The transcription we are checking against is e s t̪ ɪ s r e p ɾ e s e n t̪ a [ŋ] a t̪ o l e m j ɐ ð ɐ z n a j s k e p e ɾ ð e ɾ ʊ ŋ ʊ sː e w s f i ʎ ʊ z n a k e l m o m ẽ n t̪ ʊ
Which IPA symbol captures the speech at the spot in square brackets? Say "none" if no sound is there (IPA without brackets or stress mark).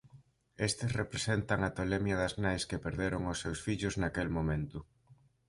ŋ